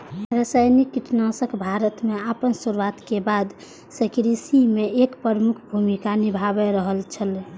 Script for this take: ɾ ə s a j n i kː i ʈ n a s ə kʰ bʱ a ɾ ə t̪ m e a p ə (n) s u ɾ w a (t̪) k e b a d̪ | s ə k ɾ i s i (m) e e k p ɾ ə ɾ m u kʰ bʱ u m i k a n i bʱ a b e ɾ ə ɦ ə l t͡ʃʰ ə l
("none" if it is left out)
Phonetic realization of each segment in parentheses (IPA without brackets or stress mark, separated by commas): n, t̪, m